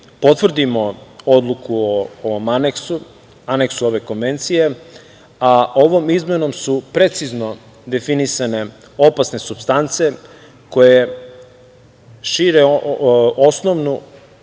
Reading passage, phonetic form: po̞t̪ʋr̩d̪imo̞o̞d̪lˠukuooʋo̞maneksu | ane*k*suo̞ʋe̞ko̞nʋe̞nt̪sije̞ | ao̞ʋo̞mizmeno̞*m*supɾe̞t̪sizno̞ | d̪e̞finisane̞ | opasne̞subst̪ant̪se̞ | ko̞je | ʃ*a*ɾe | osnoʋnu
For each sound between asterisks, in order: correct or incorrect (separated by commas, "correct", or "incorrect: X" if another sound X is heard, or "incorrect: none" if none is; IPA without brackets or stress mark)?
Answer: correct, correct, incorrect: i